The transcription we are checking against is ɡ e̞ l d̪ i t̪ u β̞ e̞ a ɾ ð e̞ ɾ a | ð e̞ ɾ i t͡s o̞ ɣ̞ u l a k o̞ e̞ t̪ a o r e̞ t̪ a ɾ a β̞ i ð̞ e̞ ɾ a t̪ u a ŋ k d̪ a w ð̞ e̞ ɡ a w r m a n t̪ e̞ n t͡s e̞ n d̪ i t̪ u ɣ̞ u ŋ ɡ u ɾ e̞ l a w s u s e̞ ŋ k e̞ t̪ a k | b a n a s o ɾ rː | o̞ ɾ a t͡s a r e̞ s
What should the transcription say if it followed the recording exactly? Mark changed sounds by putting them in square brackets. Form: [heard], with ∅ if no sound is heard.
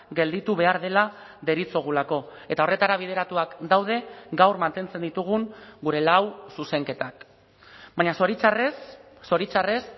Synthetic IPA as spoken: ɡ e̞ l d̪ i t̪ u β̞ e̞ a ɾ ð e̞ [l] a | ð e̞ ɾ i t͡s o̞ ɣ̞ u l a k o̞ e̞ t̪ a o r e̞ t̪ a ɾ a β̞ i ð̞ e̞ ɾ a t̪ u a [∅] k d̪ a w ð̞ e̞ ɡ a w r m a n t̪ e̞ n t͡s e̞ n d̪ i t̪ u ɣ̞ u ŋ ɡ u ɾ e̞ l a w s u s e̞ ŋ k e̞ t̪ a k | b a [ɲ] a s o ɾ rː | o̞ ɾ [i] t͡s a r e̞ s